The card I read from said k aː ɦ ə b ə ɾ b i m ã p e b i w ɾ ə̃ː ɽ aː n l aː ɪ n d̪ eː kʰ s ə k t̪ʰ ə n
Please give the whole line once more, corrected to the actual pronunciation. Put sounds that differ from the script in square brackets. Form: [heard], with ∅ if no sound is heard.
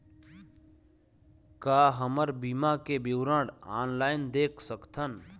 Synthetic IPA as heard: k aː ɦ ə [m] ə ɾ b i m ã [k] e b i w ɾ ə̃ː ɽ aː n l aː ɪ n d̪ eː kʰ s ə k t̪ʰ ə n